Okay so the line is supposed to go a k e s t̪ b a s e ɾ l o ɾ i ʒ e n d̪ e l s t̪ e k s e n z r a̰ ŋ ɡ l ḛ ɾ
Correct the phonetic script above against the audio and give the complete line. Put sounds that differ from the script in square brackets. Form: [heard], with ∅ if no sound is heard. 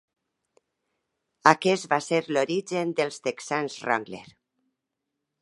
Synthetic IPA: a k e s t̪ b a s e ɾ l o ɾ i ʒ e n d̪ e l s t̪ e k s [a] n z r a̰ ŋ ɡ l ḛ ɾ